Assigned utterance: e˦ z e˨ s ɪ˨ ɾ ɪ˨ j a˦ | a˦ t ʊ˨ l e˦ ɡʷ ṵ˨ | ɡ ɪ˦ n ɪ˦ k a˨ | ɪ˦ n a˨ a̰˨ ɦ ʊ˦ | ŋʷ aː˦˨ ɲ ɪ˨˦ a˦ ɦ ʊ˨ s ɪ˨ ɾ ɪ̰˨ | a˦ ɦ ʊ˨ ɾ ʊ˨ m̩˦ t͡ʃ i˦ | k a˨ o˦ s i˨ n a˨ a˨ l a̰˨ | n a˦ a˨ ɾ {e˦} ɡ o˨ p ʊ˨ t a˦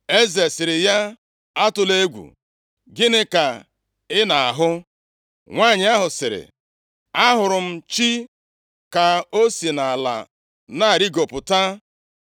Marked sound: incorrect: i˦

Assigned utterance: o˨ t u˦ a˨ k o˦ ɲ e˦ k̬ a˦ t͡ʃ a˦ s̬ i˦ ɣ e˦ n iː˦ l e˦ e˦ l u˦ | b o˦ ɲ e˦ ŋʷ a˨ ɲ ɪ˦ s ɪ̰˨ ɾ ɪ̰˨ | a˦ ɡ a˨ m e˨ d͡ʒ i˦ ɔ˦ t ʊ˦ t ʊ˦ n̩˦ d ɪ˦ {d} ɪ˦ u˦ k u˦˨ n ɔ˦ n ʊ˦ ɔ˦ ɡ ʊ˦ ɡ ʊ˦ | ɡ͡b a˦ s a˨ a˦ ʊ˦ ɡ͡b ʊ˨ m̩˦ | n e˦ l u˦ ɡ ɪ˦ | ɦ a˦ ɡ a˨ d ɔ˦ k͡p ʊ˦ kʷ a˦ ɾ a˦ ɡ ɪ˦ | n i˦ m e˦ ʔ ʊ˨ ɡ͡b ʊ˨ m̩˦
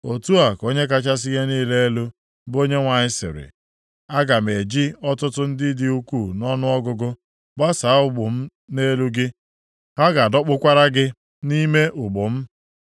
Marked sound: correct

